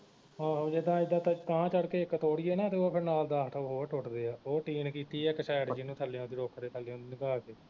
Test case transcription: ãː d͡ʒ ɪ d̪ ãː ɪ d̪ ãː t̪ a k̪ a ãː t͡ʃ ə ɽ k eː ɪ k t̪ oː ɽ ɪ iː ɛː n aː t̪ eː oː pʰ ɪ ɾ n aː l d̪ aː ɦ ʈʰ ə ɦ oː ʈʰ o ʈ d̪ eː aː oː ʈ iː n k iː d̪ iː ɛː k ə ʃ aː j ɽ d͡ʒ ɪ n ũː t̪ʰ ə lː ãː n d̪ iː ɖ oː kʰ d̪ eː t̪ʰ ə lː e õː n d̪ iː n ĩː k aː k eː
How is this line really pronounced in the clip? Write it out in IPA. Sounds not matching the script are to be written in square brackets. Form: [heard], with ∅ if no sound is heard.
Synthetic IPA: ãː d͡ʒ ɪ d̪ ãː ɪ d̪ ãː t̪ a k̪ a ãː t͡ʃ ə ɽ k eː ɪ k t̪ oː ɽ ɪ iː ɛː n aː t̪ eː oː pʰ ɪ ɾ n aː l d̪ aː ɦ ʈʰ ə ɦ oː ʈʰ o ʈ d̪ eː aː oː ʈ iː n k iː [t̪] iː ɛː k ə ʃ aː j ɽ d͡ʒ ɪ n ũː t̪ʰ ə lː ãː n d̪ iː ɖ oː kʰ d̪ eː t̪ʰ ə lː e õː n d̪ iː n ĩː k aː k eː